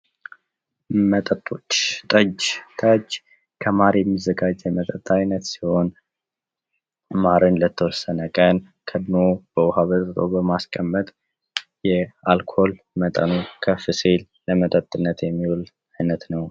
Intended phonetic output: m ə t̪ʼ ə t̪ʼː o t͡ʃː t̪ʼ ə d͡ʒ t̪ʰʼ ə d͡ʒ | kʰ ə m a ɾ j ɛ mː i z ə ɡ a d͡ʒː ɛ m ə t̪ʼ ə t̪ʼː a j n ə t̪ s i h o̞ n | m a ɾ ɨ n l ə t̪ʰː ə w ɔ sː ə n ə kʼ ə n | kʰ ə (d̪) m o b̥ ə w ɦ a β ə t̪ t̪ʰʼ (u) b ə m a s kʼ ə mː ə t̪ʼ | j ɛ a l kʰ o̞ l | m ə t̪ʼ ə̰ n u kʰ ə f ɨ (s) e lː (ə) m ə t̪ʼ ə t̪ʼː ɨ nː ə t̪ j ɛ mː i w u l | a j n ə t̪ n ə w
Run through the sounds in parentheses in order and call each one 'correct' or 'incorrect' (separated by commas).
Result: correct, incorrect, correct, correct